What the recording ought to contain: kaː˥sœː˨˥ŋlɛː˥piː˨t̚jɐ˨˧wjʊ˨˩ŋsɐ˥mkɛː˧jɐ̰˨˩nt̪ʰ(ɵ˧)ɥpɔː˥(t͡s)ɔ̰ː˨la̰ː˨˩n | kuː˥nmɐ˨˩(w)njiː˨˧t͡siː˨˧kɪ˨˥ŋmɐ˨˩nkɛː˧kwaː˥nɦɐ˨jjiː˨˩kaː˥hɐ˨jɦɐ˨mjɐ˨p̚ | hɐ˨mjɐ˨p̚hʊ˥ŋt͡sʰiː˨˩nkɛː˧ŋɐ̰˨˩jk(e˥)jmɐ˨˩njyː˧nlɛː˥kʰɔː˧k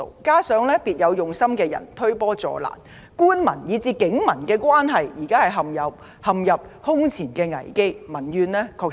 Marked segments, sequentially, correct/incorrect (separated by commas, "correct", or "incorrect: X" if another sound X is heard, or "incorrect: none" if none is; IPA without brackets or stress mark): incorrect: ɵ˥, correct, incorrect: none, correct